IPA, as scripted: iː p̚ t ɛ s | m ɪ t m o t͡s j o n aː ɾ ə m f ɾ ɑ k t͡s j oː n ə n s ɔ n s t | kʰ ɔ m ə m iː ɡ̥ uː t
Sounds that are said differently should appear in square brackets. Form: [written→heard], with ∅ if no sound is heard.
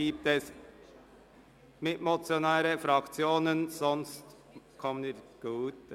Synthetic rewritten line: iː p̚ t ɛ s | m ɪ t m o t͡s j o n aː ɾ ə [m→∅] f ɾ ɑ k t͡s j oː n ə n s ɔ n s t | kʰ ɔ m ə [m→n] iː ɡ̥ uː t